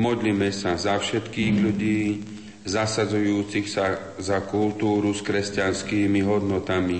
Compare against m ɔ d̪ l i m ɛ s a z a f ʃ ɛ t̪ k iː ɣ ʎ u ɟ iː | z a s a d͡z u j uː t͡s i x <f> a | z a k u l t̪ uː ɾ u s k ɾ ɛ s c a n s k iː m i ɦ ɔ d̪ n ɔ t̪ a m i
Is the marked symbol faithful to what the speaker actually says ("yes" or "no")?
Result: no